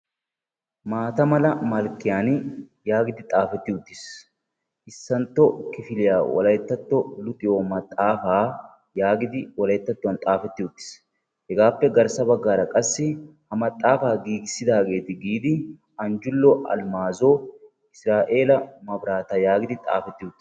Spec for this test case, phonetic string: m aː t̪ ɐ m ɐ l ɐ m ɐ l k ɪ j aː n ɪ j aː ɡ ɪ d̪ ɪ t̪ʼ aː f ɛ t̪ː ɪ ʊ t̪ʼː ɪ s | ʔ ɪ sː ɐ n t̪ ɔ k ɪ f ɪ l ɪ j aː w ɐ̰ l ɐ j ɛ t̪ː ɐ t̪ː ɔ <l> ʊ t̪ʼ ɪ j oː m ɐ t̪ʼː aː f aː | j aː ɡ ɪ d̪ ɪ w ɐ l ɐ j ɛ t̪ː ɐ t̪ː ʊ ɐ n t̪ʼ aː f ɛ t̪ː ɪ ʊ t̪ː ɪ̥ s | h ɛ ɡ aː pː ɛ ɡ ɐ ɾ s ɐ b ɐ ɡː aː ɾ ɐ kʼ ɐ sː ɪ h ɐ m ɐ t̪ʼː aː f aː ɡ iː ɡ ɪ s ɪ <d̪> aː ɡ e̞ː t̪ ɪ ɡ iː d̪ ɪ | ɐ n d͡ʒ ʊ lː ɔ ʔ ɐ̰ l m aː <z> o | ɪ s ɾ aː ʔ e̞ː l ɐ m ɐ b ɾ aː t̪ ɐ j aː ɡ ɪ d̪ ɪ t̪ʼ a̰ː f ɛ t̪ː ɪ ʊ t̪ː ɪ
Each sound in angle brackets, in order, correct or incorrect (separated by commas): correct, correct, correct